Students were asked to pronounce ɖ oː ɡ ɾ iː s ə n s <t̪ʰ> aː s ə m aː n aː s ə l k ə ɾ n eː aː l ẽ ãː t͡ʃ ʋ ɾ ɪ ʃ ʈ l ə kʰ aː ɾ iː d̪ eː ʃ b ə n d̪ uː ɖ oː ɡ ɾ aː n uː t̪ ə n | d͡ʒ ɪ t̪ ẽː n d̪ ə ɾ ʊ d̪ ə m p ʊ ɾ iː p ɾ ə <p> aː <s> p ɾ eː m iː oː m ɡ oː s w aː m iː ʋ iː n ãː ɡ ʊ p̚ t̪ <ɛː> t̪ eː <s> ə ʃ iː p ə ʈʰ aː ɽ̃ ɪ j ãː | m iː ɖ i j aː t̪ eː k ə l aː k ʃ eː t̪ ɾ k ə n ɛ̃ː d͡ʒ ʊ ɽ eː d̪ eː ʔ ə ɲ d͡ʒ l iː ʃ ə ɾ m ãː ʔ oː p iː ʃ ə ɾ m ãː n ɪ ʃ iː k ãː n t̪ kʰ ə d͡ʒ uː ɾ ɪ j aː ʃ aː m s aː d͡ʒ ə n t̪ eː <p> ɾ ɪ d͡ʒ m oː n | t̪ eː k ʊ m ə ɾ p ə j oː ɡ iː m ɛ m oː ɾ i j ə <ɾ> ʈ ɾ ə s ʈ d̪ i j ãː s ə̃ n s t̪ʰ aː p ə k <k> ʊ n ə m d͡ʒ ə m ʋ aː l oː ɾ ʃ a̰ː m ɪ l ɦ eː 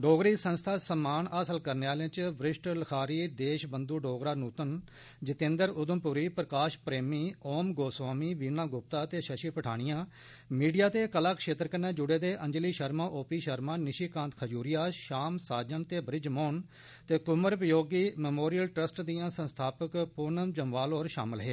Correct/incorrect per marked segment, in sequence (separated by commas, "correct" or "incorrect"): correct, incorrect, incorrect, incorrect, incorrect, incorrect, incorrect, incorrect